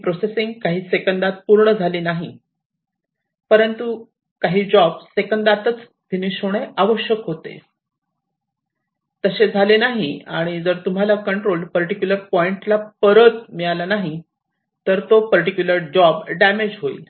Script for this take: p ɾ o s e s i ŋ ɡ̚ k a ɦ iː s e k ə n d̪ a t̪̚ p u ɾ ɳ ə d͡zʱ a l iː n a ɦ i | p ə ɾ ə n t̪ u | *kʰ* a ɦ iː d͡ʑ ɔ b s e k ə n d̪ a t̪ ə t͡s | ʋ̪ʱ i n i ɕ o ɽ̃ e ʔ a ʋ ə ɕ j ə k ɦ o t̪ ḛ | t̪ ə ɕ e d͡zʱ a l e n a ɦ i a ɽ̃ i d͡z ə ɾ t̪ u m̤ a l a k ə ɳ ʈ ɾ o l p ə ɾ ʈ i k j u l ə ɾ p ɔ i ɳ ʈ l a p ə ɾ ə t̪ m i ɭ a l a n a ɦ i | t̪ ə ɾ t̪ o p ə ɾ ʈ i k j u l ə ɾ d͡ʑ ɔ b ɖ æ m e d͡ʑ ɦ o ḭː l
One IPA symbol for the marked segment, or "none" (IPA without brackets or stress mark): k